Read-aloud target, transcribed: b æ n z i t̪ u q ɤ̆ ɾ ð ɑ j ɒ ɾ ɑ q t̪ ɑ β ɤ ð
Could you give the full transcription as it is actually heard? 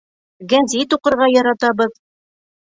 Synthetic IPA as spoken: ɡ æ n z i t̪ u q ɤ̆ ɾ ʁ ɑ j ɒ ɾ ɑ t̪ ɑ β ɤ ð